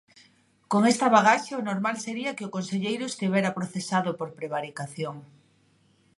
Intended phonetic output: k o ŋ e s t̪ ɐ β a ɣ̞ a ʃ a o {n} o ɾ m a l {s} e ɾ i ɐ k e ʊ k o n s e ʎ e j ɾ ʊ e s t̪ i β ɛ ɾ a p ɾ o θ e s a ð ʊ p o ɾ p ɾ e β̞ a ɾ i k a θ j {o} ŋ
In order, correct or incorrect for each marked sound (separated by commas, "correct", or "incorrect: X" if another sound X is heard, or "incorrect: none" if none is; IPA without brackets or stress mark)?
correct, correct, correct